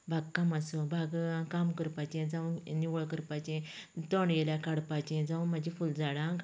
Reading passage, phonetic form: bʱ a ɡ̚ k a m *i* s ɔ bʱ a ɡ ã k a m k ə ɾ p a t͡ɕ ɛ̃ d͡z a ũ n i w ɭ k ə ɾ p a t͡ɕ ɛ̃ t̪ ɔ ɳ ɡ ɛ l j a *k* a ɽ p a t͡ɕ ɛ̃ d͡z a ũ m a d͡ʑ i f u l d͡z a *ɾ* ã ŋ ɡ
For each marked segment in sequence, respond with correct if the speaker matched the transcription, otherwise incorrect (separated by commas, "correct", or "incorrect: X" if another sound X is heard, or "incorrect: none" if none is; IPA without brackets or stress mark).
incorrect: a, correct, incorrect: ɽ